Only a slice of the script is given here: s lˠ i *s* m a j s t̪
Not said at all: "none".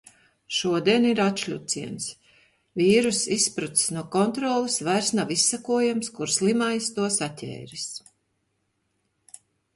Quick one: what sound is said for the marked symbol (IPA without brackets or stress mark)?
none